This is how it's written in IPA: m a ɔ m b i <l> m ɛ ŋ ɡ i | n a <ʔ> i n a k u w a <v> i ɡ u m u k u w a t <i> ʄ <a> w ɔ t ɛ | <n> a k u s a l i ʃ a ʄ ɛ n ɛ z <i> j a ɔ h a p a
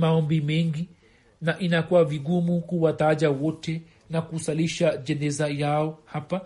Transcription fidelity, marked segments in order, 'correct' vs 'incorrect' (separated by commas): incorrect, correct, correct, incorrect, correct, correct, incorrect